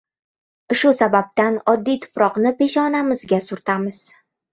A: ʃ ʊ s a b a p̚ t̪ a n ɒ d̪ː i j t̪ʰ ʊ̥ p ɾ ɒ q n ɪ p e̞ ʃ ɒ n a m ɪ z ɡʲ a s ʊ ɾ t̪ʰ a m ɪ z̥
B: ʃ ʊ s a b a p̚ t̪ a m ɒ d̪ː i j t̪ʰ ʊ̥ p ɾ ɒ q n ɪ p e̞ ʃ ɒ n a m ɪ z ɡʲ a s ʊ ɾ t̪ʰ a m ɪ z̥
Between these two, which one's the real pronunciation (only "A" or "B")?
A